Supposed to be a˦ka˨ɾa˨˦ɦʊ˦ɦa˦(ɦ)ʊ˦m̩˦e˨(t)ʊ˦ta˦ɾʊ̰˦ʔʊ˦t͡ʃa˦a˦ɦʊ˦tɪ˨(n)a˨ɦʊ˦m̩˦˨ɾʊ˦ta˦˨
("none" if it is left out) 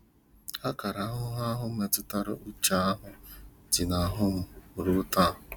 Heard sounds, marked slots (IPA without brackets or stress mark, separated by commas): ɦ, t, n